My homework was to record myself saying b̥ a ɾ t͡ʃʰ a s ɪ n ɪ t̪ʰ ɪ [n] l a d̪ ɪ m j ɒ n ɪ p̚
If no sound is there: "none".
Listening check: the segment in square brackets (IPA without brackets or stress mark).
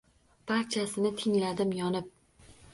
ŋ